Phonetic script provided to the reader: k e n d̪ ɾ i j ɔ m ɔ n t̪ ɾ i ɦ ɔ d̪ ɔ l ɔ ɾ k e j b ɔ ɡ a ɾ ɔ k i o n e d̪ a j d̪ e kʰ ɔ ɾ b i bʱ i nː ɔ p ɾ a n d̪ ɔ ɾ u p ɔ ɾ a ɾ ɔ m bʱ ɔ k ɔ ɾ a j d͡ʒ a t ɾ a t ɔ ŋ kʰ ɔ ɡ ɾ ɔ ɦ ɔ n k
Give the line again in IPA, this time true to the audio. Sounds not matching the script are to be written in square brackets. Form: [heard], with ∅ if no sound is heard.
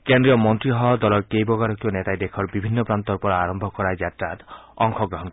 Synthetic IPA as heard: k e n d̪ ɾ i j ɔ m ɔ n t̪ ɾ i ɦ ɔ d̪ ɔ l ɔ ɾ k e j b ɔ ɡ a ɾ ɔ k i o n e [t̪] a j d̪ e kʰ ɔ ɾ b i bʱ i nː ɔ p ɾ a n [t̪] ɔ ɾ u p ɔ ɾ a ɾ ɔ m bʱ ɔ k ɔ ɾ a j d͡ʒ a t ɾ a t ɔ ŋ kʰ ɔ ɡ ɾ ɔ ɦ ɔ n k